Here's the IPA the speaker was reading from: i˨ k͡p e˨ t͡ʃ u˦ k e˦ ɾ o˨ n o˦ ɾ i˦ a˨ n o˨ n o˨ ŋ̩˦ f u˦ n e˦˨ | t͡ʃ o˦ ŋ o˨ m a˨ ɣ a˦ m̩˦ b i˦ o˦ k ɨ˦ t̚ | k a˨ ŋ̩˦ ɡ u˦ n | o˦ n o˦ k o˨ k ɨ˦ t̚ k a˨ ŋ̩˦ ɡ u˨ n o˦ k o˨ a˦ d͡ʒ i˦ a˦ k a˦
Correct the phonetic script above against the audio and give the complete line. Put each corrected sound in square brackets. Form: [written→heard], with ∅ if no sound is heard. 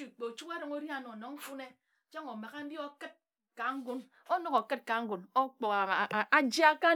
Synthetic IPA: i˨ k͡p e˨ t͡ʃ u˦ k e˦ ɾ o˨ [n→ŋ] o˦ ɾ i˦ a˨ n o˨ n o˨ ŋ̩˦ f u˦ n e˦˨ | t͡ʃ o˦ ŋ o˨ m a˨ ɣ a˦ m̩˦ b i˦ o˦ k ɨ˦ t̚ | k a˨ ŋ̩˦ ɡ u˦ n | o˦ n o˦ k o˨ k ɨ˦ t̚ k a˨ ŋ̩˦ ɡ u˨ n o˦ [k→k͡p] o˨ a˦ d͡ʒ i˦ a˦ k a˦